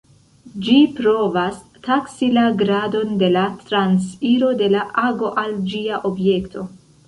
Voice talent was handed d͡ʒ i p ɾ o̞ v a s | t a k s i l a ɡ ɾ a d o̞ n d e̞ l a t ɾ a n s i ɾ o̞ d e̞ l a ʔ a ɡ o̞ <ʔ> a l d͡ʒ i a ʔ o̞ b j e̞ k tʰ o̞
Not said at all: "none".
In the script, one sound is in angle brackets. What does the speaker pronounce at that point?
ʔ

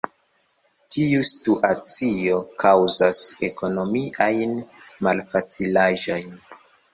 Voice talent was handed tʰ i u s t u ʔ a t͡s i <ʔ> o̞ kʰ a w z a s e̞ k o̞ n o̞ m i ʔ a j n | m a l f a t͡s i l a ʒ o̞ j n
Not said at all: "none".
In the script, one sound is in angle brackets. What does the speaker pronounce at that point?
none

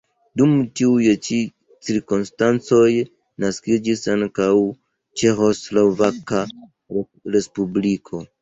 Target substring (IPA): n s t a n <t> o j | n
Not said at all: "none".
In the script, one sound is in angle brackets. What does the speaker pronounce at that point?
t͡s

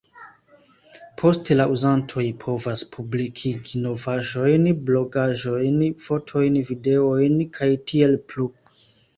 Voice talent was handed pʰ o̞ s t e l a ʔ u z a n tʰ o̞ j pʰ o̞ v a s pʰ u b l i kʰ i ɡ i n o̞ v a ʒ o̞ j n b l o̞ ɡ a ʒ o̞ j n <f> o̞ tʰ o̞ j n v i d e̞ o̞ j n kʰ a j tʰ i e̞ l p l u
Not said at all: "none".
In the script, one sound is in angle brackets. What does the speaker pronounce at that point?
f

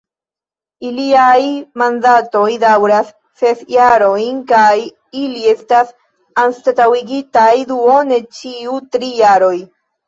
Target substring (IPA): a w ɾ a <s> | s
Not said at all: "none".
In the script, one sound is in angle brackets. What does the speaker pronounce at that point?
s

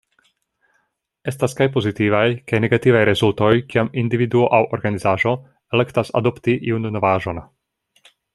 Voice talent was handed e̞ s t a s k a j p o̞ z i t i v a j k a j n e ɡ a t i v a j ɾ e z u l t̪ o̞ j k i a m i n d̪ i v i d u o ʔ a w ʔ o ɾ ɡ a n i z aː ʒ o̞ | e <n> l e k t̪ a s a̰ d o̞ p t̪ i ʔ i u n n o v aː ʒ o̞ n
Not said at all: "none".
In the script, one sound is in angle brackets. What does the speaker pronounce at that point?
none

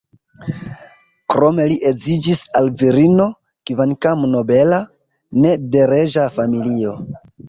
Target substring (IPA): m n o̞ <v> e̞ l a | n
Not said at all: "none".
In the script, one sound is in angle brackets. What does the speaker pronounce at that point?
b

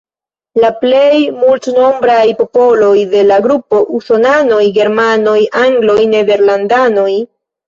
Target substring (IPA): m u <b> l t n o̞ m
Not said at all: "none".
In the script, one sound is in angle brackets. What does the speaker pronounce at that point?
none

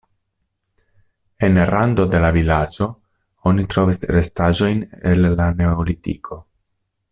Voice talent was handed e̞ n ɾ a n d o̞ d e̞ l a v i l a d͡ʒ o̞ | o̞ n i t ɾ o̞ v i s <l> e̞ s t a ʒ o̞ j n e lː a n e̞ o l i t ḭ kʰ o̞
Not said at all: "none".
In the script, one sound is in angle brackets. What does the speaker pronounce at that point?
ɾ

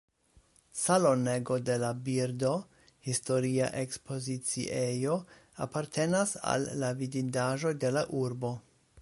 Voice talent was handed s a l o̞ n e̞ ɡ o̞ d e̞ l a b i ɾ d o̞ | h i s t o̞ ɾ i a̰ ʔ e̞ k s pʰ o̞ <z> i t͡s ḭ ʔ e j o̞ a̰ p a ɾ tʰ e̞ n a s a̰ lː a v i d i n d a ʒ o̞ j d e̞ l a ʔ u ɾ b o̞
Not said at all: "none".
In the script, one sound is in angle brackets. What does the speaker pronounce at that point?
z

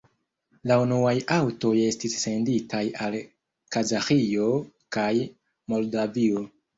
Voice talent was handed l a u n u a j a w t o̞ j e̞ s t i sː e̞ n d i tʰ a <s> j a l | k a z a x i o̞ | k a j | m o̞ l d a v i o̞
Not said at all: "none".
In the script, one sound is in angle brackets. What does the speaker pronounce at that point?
none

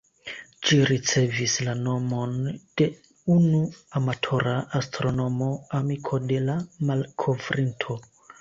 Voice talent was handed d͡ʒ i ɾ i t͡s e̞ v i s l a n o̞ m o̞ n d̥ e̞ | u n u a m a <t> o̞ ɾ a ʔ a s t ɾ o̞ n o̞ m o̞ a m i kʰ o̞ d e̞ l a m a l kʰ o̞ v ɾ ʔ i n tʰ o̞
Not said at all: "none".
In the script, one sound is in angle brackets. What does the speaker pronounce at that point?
tʰ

